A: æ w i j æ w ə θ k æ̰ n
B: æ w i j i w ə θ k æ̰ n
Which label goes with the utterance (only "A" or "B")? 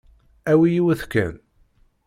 B